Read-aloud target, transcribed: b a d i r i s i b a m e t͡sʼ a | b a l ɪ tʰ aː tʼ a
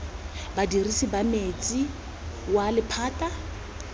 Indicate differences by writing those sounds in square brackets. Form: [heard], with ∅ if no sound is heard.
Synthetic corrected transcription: b a d i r i s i b a m e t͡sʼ [i] | [w] a l ɪ [pʰ] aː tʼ a